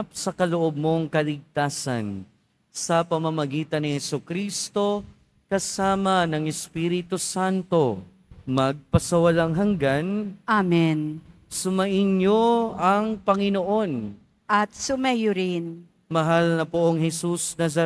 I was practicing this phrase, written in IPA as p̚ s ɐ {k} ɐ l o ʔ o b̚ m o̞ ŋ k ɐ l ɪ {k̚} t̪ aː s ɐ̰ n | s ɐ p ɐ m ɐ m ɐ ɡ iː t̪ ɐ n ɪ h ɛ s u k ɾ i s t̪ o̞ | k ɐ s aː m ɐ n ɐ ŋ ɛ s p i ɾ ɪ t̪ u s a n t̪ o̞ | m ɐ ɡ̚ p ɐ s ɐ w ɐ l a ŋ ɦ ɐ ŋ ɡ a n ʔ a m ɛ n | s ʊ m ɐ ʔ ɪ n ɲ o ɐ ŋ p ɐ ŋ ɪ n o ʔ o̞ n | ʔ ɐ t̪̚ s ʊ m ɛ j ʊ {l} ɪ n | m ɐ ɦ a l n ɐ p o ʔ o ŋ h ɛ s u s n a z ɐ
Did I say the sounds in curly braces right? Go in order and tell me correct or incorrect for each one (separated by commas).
correct, incorrect, incorrect